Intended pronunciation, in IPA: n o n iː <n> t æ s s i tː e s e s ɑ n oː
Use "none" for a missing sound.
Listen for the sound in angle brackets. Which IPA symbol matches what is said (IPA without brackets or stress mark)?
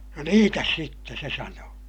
none